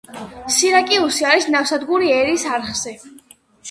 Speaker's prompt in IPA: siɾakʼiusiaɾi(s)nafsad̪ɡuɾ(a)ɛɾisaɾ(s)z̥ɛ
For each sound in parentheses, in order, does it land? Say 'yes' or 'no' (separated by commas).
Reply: yes, no, no